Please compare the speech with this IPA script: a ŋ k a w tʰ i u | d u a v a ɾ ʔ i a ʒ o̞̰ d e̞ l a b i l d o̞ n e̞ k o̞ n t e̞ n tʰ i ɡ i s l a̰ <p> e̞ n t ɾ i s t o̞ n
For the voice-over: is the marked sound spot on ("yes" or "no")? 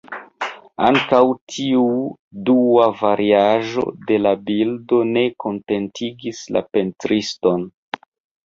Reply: yes